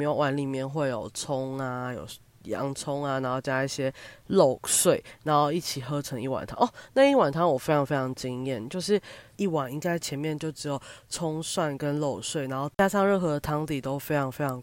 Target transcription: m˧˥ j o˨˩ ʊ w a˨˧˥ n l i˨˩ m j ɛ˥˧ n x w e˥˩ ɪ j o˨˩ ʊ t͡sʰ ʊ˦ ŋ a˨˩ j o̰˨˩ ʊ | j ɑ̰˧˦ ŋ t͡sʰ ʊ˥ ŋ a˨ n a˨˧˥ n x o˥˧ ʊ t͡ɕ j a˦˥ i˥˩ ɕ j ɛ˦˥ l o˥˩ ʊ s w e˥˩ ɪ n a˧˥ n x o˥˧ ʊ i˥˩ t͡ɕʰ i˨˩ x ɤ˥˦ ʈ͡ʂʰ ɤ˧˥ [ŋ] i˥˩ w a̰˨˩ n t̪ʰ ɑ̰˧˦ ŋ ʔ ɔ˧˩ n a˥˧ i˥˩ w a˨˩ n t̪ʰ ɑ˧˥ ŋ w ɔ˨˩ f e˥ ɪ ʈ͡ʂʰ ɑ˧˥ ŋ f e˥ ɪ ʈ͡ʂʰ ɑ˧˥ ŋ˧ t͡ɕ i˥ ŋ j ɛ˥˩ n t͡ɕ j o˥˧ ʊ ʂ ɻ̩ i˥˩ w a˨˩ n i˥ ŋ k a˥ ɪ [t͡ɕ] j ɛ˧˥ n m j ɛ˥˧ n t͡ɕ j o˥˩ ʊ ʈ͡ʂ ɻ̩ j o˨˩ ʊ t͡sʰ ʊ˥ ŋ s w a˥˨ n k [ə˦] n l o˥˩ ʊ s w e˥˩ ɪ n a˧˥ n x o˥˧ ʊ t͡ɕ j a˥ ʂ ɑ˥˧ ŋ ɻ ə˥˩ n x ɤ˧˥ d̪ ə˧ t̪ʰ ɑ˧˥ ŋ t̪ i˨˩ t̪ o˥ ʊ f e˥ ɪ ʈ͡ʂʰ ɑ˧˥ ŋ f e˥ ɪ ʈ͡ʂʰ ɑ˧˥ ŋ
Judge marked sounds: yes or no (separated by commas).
yes, no, yes